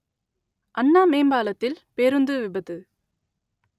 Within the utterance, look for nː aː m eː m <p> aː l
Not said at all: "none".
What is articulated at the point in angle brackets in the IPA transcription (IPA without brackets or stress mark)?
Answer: b